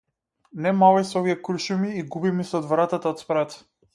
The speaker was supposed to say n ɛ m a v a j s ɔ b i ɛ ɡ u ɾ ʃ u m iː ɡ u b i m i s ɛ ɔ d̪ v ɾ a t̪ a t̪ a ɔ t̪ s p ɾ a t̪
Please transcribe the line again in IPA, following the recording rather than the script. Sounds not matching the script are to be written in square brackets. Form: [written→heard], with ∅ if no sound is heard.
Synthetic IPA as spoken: n ɛ m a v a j s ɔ [b→v] i ɛ [ɡ→k] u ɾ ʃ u m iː ɡ u b i m i s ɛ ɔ d̪ v ɾ a t̪ a t̪ a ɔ t̪ s p ɾ a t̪